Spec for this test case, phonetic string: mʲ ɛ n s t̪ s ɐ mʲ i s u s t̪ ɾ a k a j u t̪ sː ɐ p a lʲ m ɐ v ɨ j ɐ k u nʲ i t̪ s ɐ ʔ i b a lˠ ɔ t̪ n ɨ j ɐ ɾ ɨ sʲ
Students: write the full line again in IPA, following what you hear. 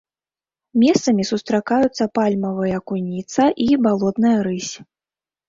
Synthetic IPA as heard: mʲ ɛ s t̪ s ɐ mʲ i s u s t̪ ɾ a k a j u t̪ sː ɐ p a lʲ m ɐ v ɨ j ɐ k u nʲ i t̪ s ɐ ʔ i b a lˠ ɔ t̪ n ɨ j ɐ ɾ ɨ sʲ